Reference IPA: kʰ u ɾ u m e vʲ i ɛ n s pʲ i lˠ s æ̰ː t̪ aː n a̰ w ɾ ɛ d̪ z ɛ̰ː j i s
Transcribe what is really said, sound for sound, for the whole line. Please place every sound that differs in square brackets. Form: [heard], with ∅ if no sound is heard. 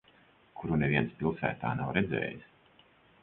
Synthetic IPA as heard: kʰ u ɾ u [n] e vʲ i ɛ n s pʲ i lˠ s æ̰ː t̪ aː n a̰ w ɾ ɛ d̪ z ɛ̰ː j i s